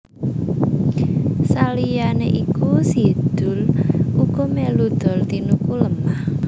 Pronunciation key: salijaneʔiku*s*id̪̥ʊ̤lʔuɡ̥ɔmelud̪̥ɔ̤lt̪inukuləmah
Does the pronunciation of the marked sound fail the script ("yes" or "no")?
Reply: no